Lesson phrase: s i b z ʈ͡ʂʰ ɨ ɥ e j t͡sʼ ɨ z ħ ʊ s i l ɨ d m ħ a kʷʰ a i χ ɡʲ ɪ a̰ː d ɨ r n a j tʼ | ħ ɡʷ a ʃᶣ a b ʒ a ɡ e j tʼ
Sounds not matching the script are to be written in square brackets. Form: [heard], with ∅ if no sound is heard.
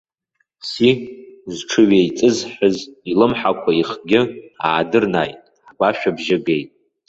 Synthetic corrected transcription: s i [∅] z ʈ͡ʂʰ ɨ ɥ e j t͡sʼ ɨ z ħ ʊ [z] i l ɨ [∅] m ħ a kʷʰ a i χ ɡʲ ɪ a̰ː d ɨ r n a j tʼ | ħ ɡʷ a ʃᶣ a b ʒ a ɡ e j tʼ

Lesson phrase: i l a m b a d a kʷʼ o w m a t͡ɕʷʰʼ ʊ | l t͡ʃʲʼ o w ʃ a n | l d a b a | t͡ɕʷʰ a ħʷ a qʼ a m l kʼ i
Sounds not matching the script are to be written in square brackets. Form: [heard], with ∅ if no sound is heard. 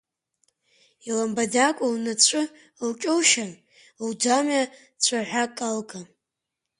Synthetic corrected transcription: i l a m b a d a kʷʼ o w [n] a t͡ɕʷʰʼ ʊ | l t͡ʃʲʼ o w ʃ a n | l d a [m] a | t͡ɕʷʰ a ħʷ a [kʼ] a [∅] l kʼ [a]

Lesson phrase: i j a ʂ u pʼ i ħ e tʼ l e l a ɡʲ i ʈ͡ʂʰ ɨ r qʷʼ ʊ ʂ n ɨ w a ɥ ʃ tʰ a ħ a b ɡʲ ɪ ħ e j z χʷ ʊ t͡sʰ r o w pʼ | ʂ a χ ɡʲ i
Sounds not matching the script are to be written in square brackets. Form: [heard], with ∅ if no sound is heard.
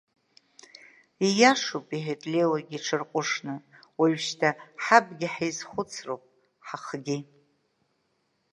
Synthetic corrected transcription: i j a ʂ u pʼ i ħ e tʼ l e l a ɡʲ i ʈ͡ʂʰ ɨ r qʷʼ ʊ ʂ n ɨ w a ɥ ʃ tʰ a ħ a b ɡʲ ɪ ħ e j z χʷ ʊ t͡sʰ r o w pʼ | [ħ] a χ ɡʲ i

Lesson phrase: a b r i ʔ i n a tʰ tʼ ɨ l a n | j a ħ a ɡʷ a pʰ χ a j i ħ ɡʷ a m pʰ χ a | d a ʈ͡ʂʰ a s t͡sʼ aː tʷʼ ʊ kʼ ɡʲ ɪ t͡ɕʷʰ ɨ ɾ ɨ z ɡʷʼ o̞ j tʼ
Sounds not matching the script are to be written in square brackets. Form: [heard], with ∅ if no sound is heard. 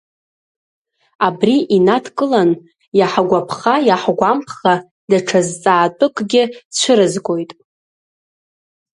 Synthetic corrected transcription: a b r i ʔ i n a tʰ [kʼ] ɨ l a n | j a ħ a ɡʷ a pʰ χ a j [a] ħ ɡʷ a m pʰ χ a | d a ʈ͡ʂʰ a [z] t͡sʼ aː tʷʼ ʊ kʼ ɡʲ ɪ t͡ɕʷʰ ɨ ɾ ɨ z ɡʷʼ o̞ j tʼ

